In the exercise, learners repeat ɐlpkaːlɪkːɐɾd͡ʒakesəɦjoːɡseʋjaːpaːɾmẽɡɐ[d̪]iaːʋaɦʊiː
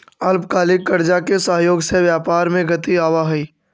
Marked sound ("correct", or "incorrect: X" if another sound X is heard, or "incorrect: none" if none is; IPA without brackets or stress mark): incorrect: t̪